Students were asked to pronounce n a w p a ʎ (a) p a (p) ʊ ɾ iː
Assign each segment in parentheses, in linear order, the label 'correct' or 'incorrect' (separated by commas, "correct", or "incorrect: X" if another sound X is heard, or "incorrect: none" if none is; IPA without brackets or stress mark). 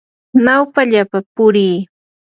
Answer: correct, correct